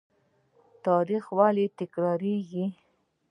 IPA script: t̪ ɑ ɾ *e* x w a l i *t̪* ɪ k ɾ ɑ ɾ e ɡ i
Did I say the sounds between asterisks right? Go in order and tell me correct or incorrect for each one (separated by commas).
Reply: incorrect, correct